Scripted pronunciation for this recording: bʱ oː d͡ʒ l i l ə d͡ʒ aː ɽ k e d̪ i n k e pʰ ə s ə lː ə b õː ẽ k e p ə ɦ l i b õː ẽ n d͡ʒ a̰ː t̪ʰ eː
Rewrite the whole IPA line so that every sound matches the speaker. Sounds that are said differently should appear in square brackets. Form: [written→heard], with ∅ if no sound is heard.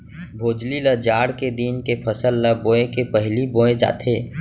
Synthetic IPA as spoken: bʱ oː d͡ʒ l i l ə d͡ʒ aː ɽ k e d̪ i n k e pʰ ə s ə lː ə b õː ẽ k e p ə ɦ l i b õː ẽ [n→∅] d͡ʒ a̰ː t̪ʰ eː